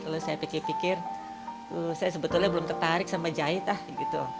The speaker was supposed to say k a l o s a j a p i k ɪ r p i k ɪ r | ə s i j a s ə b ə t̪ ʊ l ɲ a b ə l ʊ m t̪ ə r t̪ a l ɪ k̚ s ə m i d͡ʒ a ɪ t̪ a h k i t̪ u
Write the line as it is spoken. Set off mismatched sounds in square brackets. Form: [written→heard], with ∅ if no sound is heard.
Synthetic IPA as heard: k a l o s a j a p i k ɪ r p i k ɪ r | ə s [i→a] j a s ə b ə t̪ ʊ l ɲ a b ə l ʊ m t̪ ə r t̪ a [l→ɾ] ɪ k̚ s [ə→a] m [i→a] d͡ʒ a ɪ t̪ a h [k→ɡ] i t̪ u